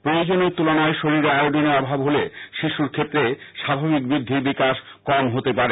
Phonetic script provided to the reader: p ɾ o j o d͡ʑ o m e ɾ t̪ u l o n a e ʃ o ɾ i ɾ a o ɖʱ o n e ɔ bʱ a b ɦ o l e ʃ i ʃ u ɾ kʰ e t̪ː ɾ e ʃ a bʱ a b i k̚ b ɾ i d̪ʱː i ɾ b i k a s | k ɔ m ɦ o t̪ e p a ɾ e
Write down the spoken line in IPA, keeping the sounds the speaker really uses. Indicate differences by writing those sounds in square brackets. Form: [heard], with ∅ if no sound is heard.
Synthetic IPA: p ɾ o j o d͡ʑ o [n] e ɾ t̪ u l o n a e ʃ o ɾ i ɾ a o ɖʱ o n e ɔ bʱ a b ɦ o l e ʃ i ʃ u ɾ kʰ e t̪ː ɾ e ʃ a bʱ a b i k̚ b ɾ i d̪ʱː i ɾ b i k a [ʃ] | k ɔ m ɦ o t̪ e p a ɾ e

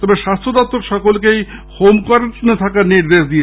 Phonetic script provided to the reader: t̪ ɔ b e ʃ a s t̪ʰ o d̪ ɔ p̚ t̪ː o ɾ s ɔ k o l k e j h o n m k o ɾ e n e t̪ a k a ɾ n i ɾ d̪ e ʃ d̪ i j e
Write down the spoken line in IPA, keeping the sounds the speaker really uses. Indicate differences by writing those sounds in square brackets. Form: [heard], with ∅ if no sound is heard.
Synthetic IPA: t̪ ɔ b e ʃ a s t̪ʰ o d̪ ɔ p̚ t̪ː o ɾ [ʃ] ɔ k o l k e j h o [∅] m k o ɾ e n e [t̪ʰ] a k a ɾ n i ɾ d̪ e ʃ d̪ i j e

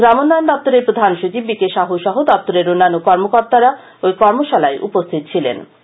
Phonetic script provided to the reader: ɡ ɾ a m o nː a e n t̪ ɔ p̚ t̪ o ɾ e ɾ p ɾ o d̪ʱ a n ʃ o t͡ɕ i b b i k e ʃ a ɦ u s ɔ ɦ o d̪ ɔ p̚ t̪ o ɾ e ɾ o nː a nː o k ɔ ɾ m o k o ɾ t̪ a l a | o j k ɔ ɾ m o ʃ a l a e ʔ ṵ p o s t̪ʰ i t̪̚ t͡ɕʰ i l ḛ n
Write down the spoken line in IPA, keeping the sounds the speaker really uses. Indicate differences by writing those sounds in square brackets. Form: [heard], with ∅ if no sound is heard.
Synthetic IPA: ɡ ɾ a m o nː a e n [d̪] ɔ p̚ t̪ o ɾ e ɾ p ɾ o d̪ʱ a n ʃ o t͡ɕ i b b i k e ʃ a ɦ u [ʃ] ɔ ɦ o d̪ ɔ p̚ t̪ o ɾ e ɾ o nː a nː o k ɔ ɾ m o k o ɾ t̪ a [ɾ] a | o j k ɔ ɾ m o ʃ a l a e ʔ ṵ p o s t̪ʰ i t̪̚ t͡ɕʰ i l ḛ n

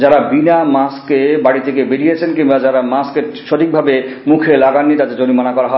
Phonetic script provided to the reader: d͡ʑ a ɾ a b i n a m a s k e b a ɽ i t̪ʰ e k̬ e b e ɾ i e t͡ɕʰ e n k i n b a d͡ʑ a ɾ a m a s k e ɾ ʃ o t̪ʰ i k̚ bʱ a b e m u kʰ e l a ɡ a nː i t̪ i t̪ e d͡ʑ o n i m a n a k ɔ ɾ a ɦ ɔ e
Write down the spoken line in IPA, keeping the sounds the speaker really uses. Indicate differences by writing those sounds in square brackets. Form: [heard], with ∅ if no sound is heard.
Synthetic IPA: d͡ʑ a ɾ a b i n a m a s k e b a ɽ i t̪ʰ e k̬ e b e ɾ i e t͡ɕʰ e n k i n b a d͡ʑ a ɾ a m a s k e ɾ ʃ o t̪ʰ i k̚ bʱ a b e m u kʰ e l a ɡ a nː i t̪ [a] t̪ e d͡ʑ o n i m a n a k ɔ ɾ a ɦ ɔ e

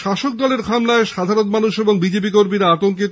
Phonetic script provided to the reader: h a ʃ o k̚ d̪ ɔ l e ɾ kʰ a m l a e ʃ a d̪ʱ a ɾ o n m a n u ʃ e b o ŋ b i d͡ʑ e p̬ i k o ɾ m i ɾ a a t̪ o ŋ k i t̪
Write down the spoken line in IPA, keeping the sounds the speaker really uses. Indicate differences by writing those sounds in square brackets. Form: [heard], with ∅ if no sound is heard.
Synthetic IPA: [ʃ] a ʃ o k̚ d̪ ɔ l e ɾ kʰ a m l a e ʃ a d̪ʱ a ɾ o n m a n u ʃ e b o ŋ b i d͡ʑ e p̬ i k o ɾ m i ɾ a a t̪ o ŋ k i t̪

